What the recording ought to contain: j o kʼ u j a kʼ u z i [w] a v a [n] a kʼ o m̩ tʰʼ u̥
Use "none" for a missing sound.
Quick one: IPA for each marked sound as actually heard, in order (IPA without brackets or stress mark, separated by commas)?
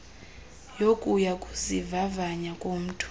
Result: v, ɲ